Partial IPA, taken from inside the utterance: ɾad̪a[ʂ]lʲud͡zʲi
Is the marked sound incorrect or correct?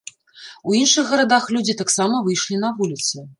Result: incorrect